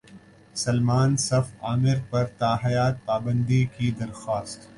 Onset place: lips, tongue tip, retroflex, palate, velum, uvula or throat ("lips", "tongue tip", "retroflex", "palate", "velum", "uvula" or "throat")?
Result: tongue tip